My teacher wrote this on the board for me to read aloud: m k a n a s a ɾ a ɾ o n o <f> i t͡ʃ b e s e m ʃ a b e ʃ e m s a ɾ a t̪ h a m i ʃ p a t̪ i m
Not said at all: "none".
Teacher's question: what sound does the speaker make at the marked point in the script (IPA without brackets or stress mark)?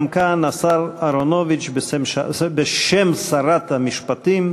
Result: v